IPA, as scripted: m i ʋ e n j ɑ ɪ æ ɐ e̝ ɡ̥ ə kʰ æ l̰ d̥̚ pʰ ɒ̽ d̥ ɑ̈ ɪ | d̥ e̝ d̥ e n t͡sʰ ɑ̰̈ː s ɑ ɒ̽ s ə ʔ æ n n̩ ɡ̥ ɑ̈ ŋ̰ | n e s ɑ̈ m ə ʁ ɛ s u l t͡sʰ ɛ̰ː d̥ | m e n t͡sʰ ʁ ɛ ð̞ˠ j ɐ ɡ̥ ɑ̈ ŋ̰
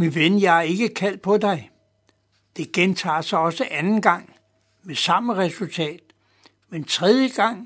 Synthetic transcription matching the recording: m i ʋ e n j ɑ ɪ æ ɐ e̝ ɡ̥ ə kʰ æ l̰ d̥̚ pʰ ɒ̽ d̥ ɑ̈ ɪ | d̥ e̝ ɡ̥ e n t͡sʰ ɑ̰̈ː s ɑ ɒ̽ s ə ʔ æ n n̩ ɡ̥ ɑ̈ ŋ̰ | m e s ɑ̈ m ə ʁ ɛ s u l t͡sʰ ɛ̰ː d̥ | m e n t͡sʰ ʁ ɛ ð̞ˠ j ə ɡ̥ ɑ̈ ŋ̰